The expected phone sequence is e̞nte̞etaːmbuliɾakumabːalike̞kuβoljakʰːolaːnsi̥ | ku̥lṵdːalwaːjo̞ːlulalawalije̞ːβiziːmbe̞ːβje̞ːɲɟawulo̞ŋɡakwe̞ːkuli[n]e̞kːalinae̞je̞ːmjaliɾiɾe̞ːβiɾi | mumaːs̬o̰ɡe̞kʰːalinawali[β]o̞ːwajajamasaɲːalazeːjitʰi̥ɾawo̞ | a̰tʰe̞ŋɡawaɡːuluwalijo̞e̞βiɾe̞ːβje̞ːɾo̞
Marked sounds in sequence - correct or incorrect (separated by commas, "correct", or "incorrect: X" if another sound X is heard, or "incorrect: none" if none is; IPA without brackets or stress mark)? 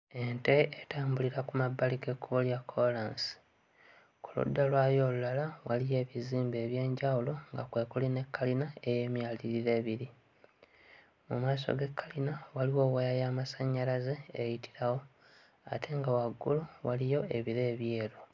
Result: correct, incorrect: w